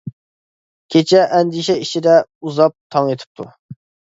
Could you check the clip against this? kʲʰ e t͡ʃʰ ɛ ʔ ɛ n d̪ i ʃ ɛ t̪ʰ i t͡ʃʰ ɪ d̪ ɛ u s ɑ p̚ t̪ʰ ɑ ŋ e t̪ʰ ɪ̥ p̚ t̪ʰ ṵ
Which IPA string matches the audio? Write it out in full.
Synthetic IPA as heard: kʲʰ e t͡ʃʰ ɛ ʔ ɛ n d̪ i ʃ ɛ i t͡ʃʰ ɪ d̪ ɛ u z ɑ p̚ t̪ʰ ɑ ŋ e t̪ʰ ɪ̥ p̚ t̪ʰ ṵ

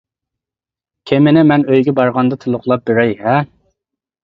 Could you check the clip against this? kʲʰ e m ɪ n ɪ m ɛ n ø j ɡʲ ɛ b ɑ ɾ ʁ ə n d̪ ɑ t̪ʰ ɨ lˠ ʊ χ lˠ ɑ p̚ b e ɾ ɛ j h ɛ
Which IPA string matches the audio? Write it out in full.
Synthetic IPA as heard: kʲʰ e m ɪ n ɪ m ɛ n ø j ɡʲ ɛ b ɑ ɾ ʁ ɑ n d̪ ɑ t̪ʰ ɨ lˠ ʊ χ lˠ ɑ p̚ b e ɾ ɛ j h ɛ

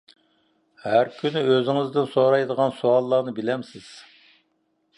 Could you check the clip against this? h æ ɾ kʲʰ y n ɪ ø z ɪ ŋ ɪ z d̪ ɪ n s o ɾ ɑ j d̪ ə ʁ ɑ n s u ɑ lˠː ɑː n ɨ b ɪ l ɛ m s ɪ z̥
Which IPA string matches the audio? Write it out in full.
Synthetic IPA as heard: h æ ɾ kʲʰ y n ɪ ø z ɪ ŋ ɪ z d̪ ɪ n s o ɾ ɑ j d̪ ə ʁ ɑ n s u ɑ lˠː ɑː n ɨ b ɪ l ɛ m s ɪ z̥

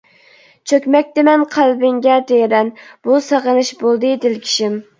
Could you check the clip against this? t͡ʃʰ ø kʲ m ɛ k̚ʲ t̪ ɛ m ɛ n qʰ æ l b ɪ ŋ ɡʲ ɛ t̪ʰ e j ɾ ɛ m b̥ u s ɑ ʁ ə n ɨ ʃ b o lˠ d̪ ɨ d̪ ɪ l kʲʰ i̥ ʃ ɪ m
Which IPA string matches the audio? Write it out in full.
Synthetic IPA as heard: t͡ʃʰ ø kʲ m ɛ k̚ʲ t̪ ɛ m ɛ n qʰ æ l b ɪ ŋ ɡʲ ɛ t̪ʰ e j ɾ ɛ n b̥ u s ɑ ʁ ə n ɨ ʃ b o lˠ d̪ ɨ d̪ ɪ l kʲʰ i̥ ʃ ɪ m

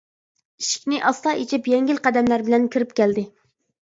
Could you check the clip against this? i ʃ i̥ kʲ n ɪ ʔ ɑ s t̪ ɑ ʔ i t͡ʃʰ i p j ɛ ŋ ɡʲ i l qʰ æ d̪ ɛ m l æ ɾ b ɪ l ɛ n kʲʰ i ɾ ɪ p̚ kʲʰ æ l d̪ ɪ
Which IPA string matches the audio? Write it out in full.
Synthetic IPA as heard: i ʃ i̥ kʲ n ɪ ʔ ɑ s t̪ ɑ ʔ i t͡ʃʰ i p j ɛ ŋ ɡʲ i l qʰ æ d̪ ɛ m l æ ɾ b ɪ l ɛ n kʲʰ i ɾ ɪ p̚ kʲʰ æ l d̪ ɪ

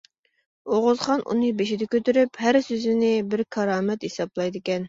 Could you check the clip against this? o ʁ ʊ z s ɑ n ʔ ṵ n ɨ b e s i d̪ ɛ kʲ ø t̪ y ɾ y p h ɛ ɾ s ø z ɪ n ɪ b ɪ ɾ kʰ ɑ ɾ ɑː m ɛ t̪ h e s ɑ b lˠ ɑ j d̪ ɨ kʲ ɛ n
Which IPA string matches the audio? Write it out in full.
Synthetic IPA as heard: o ʁ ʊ z χ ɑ n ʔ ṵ n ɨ b e ʃ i d̪ ɛ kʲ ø t̪ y ɾ y p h æ ɾ s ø z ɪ n ɪ b ɪ ɾ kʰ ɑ ɾ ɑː m ɛ t̪ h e s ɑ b lˠ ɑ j d̪ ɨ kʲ ɛ n

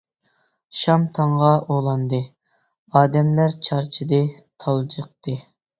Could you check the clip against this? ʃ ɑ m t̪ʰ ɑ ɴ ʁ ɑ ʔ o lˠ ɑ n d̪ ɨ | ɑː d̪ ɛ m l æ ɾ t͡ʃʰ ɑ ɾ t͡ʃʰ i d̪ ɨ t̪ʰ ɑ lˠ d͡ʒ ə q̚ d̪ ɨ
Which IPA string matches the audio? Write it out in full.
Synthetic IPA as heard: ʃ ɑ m t̪ʰ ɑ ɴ ʁ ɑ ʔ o lˠ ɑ n d̪ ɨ | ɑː d̪ ɛ m l æ ɾ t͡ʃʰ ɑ ɾ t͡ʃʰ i d̪ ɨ t̪ʰ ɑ lˠ d͡ʒ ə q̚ t̪ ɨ

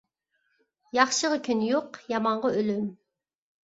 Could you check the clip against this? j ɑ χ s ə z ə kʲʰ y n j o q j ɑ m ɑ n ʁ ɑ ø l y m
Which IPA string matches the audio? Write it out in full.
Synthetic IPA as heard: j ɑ χ ʃ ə ʁ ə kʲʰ y n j o q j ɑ m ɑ ɴ ʁ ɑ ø l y m

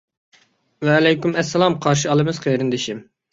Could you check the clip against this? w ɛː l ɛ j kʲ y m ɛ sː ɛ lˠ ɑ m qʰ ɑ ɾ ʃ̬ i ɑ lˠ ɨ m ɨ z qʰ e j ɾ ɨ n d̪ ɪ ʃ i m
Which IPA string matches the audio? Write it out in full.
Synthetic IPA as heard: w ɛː l ɛ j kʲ y m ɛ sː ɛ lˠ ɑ m qʰ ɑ ɾ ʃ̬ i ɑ lˠ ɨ m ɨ z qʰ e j ɾ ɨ n d̪ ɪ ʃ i m

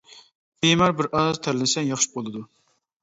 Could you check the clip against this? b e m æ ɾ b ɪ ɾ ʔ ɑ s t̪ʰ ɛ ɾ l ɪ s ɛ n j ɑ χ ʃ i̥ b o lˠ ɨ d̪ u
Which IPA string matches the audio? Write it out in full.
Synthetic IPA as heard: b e m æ ɾ b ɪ ɾ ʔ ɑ z t̪ʰ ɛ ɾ l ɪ s ɛ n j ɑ χ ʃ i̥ b o lˠ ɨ d̪ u

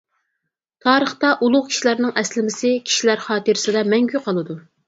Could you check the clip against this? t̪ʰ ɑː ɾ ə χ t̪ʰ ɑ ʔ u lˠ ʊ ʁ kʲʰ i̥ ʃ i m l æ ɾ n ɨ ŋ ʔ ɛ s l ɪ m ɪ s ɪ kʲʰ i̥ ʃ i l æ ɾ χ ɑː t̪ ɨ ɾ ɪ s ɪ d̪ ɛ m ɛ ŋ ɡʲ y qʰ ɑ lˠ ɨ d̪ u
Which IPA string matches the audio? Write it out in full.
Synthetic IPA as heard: t̪ʰ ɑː ɾ ə χ t̪ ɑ ʔ u lˠ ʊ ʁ kʲʰ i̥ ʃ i l æ ɾ n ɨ ŋ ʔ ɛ s l ɪ m ɪ s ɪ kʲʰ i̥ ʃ i l æ ɾ χ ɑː t̪ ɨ ɾ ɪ s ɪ d̪ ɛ m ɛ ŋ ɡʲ y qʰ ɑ lˠ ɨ d̪ u

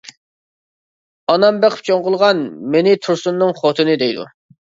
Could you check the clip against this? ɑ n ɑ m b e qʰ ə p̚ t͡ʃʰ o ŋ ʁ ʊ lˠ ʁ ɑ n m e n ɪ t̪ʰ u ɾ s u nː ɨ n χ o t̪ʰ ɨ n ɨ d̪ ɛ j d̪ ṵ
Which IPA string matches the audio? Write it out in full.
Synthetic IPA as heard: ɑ n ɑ m b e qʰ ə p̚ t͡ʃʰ o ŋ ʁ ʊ lˠ ʁ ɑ n m e n ɪ t̪ʰ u ɾ s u nː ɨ ŋ χ o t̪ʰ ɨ n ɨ d̪ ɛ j d̪ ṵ

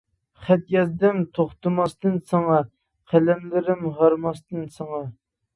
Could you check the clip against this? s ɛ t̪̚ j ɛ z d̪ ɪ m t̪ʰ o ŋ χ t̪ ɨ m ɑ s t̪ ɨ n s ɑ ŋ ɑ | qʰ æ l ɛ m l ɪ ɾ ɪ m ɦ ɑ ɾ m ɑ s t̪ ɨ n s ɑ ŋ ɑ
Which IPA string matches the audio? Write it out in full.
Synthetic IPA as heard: χ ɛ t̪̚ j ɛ z d̪ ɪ m t̪ʰ o χ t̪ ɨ m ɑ s t̪ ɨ n s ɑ ŋ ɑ | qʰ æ l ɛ m l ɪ ɾ ɪ m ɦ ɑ ɾ m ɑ s t̪ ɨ n s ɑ ŋ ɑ

